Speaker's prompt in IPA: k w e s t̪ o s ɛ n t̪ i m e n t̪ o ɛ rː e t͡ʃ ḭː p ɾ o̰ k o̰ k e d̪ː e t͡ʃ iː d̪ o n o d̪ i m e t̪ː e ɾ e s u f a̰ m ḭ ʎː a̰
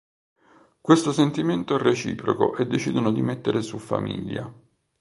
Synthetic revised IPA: k w e s t̪ o s e n t̪ i m e n t̪ o ɛ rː e t͡ʃ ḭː p ɾ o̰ k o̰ ʔ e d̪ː e t͡ʃ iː d̪ o n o d̪ i m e t̪ː e ɾ e s u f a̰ m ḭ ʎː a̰